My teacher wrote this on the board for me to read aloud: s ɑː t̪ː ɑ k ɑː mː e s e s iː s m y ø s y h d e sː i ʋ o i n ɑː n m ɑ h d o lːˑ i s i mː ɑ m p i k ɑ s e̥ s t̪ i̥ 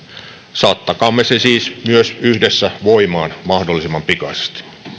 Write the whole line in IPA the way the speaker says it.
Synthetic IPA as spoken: s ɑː t̪ː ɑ k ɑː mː e s e s iː s m y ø s y h d e sː æ ʋ o i m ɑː n m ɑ h d o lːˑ i s i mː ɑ m p i k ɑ s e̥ s t̪ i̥